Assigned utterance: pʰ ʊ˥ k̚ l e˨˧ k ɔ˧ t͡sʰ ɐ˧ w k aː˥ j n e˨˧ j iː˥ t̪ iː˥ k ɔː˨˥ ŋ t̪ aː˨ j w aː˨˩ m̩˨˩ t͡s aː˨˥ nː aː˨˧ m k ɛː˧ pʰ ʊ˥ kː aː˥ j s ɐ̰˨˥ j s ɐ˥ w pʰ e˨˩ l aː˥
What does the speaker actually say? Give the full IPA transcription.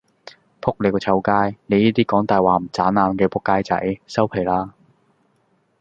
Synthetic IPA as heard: pʰ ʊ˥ k̚ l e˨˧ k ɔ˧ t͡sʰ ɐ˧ w k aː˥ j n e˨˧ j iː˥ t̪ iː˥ k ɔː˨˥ ŋ t̪ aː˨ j w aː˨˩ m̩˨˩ t͡s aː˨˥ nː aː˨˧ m k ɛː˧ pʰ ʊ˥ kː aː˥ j t͡s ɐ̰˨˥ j s ɐ˥ w pʰ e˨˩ l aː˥

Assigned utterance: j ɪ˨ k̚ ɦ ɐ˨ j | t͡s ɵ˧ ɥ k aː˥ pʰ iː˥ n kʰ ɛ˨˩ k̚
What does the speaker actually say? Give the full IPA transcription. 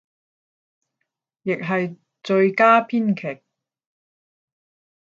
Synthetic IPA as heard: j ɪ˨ k̚ ɦ ɐ˨ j | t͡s ɵ˧ ɥ k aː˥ pʰ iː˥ n kʰ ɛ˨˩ k̚

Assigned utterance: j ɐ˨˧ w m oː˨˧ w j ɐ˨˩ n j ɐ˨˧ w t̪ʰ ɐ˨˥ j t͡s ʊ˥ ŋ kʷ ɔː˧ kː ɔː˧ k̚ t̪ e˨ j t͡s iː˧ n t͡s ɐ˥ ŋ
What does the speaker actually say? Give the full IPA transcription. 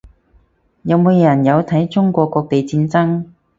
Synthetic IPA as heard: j ɐ˨˧ w m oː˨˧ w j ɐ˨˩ n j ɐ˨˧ w t̪ʰ ɐ˨˥ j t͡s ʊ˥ ŋ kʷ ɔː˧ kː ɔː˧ k̚ t̪ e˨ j t͡s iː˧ n t͡s ɐ˥ ŋ

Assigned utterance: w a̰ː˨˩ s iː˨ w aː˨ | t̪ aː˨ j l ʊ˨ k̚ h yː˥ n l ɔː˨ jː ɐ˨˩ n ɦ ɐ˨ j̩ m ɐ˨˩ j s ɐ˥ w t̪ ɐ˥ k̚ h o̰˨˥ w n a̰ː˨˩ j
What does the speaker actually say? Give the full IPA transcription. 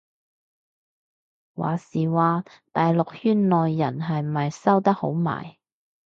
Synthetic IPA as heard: w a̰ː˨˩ s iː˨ w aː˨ | t̪ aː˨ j l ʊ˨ k̚ h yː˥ n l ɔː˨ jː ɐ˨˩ n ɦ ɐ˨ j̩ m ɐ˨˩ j s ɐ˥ w t̪ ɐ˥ k̚ h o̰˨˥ w m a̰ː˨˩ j

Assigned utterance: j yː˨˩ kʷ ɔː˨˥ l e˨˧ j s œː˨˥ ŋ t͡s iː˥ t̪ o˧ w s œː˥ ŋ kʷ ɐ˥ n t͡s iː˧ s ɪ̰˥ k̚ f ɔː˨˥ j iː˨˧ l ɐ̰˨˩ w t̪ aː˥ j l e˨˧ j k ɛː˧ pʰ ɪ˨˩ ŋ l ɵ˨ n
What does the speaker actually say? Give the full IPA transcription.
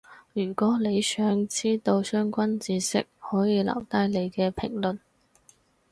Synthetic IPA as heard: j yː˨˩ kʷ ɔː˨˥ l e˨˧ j s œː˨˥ ŋ t͡s iː˥ t̪ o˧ w s œː˥ ŋ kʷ ɐ˥ n t͡s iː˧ s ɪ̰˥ k̚ h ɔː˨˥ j iː˨˧ l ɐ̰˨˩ w t̪ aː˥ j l e˨˧ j k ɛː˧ pʰ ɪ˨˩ ŋ l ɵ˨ n

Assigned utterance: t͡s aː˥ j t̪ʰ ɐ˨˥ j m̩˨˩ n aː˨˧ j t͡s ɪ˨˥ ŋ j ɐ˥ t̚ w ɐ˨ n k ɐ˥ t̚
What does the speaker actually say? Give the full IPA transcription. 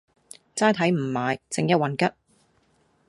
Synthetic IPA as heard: t͡s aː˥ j t̪ʰ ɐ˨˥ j m̩˨˩ m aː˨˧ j t͡s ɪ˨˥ ŋ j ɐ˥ t̚ w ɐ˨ n k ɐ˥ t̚

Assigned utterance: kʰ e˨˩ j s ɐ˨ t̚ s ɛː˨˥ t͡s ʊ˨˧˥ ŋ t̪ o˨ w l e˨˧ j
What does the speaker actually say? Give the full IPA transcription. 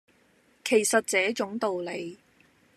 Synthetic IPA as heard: kʰ e˨˩ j s ɐ˨ t̚ t͡s ɛː˨˥ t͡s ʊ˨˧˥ ŋ t̪ o˨ w l e˨˧ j

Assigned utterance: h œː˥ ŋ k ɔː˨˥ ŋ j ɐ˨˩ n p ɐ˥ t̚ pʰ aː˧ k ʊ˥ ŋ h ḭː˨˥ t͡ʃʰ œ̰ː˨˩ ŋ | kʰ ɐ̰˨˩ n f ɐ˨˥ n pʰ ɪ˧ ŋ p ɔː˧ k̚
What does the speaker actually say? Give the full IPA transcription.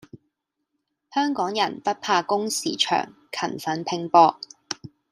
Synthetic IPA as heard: h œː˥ ŋ k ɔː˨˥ ŋ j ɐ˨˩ n p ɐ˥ t̚ pʰ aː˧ k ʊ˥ ŋ s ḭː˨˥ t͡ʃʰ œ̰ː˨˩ ŋ | kʰ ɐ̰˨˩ n f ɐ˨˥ n pʰ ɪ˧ ŋ p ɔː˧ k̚

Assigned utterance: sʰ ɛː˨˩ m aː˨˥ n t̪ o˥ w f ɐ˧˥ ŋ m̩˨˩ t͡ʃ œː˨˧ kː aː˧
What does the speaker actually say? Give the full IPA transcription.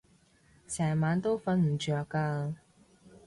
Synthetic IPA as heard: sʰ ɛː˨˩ m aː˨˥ n t̪ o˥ w f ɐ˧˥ n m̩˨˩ t͡ʃ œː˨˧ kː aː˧

